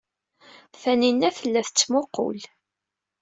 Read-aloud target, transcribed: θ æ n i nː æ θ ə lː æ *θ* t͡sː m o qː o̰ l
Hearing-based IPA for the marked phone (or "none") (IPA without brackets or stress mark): θ